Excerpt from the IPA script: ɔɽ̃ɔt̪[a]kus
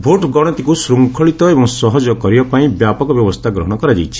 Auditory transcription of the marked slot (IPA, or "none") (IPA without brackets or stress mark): i